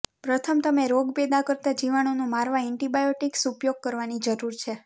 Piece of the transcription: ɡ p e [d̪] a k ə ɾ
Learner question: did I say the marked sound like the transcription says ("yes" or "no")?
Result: yes